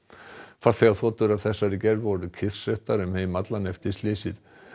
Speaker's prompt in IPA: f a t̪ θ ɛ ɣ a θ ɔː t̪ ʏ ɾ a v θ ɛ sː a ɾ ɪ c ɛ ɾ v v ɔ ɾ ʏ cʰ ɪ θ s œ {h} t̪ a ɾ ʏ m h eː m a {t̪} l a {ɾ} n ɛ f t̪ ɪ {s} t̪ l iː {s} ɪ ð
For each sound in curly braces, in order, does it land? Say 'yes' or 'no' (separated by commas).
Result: yes, yes, no, yes, yes